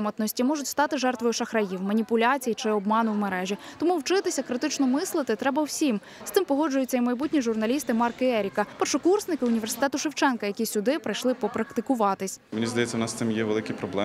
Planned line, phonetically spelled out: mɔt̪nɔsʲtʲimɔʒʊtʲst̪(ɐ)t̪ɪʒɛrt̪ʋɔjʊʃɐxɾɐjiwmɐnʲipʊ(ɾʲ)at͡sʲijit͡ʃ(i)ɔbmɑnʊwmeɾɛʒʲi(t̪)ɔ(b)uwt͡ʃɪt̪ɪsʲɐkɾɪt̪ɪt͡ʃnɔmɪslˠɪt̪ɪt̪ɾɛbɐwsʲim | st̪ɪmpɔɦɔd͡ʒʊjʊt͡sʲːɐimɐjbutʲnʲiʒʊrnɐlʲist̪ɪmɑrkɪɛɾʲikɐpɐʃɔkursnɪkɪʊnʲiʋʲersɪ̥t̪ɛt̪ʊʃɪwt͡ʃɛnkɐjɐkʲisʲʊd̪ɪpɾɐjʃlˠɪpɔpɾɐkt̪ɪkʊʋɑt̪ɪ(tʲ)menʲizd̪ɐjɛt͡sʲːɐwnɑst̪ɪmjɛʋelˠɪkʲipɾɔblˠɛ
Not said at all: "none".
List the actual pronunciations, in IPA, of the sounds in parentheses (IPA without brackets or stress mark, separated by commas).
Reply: ɑ, lʲ, ɪ, t̪, m, sʲ